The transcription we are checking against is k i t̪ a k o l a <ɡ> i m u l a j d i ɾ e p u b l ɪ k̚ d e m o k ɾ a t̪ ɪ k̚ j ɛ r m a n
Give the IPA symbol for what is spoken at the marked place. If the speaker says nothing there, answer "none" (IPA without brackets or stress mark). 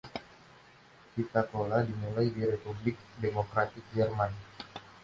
d